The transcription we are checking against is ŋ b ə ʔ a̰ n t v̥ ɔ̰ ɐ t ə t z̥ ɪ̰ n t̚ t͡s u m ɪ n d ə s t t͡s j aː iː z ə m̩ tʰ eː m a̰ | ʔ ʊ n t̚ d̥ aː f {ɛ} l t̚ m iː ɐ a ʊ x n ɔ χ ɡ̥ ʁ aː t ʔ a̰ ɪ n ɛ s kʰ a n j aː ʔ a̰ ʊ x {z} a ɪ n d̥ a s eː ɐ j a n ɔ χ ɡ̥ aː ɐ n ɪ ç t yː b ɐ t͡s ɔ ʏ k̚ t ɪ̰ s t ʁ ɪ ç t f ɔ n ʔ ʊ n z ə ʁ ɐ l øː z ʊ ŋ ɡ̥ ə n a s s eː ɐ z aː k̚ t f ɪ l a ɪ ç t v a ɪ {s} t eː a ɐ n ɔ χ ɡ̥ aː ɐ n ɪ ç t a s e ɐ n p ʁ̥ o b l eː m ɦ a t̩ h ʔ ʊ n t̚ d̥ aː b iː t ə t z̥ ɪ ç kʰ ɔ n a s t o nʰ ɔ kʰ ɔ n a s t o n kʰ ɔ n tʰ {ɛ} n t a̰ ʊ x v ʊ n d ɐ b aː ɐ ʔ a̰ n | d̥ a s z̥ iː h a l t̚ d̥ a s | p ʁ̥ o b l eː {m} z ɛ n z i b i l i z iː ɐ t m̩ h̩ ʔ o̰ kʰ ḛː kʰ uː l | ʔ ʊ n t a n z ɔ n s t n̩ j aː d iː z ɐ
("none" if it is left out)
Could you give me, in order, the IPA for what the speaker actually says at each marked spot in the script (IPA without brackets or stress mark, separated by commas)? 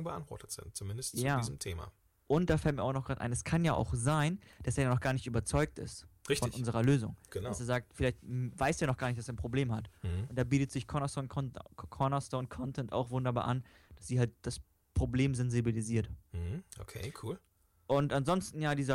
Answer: ɛ, z, s, ɛ, m